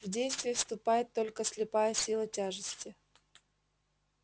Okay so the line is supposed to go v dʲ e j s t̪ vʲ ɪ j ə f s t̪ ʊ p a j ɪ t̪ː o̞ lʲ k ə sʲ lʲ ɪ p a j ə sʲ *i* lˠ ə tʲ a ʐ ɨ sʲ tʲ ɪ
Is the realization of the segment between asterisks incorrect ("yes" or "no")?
no